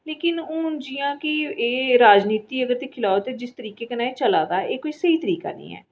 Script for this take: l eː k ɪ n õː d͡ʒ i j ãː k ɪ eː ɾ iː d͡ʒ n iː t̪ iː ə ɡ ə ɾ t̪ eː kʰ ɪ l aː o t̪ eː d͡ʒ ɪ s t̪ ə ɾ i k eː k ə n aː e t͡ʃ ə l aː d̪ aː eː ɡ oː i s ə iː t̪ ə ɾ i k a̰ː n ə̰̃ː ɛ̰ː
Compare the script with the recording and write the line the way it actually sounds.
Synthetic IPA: l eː k ɪ n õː d͡ʒ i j ãː k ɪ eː ɾ aː d͡ʒ n iː t̪ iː ə ɡ ə ɾ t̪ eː kʰ ɪ l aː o t̪ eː d͡ʒ ɪ s t̪ ə ɾ iː k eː k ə n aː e t͡ʃ ə l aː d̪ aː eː k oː i s ə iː t̪ ə ɾ iː k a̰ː n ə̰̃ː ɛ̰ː